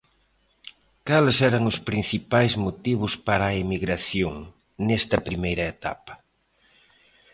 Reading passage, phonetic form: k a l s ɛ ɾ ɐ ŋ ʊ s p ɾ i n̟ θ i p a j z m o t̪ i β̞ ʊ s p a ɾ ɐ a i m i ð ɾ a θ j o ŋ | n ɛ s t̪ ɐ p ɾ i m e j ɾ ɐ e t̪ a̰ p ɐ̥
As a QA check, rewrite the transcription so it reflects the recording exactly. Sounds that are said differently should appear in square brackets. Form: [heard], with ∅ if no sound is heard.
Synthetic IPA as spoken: k a l s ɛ ɾ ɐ ŋ ʊ s p ɾ i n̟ θ i p a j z m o t̪ i β̞ ʊ s p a ɾ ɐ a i m i [ɣ] ɾ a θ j o ŋ | n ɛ s t̪ ɐ p ɾ i m e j ɾ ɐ e t̪ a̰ p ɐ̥